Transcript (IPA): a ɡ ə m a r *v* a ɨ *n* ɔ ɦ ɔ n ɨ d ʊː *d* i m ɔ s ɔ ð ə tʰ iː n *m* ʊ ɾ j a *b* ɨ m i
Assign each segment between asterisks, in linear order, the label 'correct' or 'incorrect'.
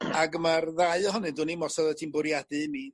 incorrect, incorrect, incorrect, incorrect, incorrect

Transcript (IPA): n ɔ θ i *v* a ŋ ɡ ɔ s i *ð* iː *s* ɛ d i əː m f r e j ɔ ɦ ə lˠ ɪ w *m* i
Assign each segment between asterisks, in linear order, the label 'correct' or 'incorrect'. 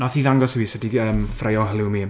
incorrect, incorrect, correct, correct

